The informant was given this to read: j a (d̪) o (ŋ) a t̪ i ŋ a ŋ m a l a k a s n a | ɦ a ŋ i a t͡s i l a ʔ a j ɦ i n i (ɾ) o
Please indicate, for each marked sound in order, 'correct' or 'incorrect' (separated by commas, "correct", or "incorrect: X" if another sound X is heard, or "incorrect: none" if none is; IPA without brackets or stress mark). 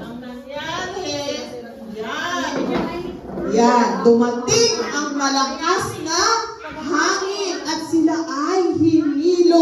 correct, incorrect: m, incorrect: l